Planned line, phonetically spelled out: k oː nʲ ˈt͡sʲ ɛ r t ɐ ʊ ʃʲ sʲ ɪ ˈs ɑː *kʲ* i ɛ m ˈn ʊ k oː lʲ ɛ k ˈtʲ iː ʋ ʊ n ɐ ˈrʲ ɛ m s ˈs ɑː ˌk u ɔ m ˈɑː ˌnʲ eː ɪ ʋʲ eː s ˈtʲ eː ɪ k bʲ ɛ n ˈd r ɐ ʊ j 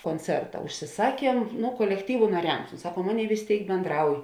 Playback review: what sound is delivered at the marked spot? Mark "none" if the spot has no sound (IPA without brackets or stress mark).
kʲ